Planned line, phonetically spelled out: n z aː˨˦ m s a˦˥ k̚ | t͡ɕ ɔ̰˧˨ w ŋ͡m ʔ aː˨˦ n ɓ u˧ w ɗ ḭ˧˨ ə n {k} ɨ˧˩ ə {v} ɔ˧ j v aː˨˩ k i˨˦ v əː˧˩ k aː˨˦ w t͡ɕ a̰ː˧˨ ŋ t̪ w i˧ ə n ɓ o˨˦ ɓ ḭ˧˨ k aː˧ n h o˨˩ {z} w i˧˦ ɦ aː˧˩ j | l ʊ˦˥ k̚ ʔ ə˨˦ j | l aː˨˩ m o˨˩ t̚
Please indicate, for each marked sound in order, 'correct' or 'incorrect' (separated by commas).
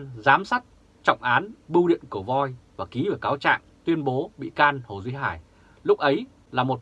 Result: correct, correct, correct